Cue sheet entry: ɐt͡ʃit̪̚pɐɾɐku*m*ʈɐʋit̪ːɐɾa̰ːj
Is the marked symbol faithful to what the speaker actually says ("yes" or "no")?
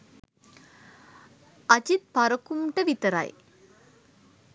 yes